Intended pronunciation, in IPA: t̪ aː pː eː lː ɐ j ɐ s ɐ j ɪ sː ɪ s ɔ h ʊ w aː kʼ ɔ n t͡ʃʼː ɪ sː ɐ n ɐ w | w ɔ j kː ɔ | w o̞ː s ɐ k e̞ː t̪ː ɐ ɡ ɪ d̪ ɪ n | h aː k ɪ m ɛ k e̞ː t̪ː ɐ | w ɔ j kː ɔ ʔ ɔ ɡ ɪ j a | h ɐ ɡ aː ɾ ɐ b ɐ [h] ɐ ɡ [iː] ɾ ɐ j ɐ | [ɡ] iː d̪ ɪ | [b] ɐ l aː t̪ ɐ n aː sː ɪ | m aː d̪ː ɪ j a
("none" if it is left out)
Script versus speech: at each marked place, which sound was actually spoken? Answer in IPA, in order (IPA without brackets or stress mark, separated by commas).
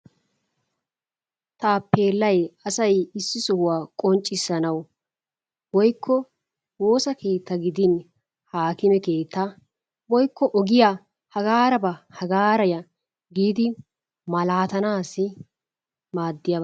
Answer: h, aː, ɡ, m